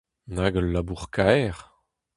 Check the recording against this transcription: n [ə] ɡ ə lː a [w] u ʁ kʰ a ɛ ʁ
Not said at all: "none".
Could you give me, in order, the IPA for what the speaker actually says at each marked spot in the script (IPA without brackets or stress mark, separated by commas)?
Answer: a, b